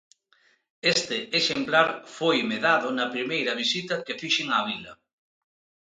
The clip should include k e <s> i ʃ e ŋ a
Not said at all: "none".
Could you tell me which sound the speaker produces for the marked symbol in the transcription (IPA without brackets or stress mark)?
f